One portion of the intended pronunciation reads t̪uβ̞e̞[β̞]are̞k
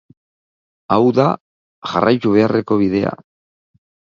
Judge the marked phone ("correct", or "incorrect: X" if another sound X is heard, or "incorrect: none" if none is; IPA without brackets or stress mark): incorrect: none